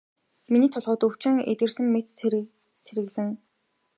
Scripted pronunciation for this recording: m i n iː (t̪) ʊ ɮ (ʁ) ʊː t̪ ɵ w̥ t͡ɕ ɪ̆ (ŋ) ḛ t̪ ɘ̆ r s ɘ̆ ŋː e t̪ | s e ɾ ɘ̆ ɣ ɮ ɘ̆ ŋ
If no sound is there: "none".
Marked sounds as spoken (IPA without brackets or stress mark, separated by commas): t̪ʰ, ʁ, ŋ